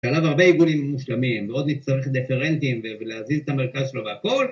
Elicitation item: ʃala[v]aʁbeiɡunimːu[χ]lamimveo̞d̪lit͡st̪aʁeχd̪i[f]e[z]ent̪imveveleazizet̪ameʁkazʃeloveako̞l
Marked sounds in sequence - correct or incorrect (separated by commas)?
correct, incorrect, correct, incorrect